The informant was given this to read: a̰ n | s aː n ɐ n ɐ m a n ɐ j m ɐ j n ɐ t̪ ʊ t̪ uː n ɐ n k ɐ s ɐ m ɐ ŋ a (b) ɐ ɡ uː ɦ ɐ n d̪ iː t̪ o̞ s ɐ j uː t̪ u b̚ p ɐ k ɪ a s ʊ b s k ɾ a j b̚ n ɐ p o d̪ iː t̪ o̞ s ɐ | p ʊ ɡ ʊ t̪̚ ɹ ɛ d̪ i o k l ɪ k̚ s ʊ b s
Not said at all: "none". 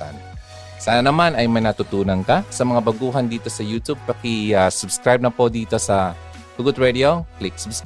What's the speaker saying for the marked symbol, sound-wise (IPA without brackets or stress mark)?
b